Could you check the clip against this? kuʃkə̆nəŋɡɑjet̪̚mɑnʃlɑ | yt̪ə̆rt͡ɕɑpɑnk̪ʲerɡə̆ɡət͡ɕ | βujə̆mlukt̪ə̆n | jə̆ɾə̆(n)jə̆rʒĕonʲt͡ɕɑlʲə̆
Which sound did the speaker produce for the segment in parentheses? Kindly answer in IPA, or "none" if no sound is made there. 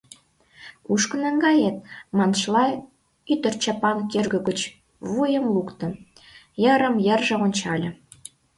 m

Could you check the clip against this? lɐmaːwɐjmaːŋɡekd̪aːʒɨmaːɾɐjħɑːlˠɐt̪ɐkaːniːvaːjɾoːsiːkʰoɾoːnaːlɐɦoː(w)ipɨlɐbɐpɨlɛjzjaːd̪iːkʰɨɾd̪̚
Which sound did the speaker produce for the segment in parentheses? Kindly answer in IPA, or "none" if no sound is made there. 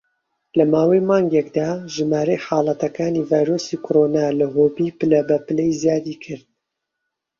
b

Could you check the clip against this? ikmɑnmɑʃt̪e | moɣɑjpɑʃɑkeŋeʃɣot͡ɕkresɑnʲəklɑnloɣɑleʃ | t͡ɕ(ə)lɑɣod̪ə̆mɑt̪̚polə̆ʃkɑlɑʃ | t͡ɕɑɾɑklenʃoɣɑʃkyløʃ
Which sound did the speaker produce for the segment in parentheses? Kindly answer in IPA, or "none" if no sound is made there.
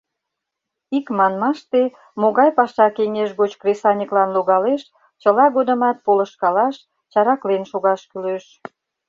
ə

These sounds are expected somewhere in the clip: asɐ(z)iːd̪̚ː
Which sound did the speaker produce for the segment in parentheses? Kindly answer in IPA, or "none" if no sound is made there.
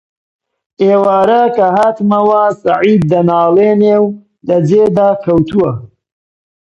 ʕ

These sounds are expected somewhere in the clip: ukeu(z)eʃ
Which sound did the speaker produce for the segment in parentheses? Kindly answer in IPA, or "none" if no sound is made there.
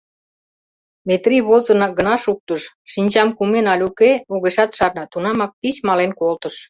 ɣ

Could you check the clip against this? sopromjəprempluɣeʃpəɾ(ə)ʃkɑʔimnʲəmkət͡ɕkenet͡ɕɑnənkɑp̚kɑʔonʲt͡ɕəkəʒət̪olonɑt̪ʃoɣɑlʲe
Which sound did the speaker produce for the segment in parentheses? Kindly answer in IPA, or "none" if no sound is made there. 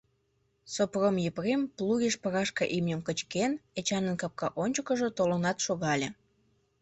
ɑ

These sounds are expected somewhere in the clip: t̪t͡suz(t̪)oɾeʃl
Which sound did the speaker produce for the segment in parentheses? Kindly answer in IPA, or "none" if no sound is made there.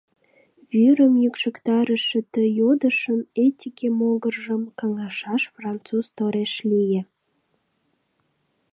t̪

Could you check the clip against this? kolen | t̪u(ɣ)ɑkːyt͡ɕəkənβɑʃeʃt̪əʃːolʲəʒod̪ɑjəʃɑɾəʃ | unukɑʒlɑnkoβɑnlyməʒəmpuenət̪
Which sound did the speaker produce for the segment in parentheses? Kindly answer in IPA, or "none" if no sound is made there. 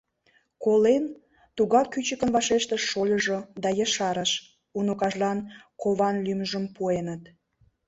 ɣ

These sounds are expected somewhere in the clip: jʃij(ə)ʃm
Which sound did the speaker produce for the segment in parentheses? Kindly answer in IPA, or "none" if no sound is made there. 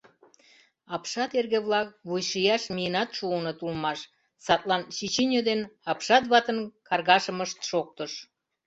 ɑ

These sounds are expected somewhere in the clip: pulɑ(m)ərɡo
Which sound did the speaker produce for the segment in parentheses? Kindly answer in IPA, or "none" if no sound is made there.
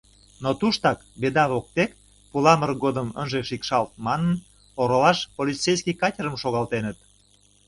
m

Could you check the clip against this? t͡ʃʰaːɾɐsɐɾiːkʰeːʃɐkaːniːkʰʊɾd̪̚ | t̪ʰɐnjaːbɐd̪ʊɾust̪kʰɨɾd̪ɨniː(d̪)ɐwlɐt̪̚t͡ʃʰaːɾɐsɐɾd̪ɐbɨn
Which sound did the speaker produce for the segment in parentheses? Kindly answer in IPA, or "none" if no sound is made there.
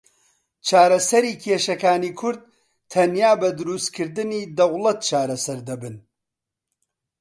d̪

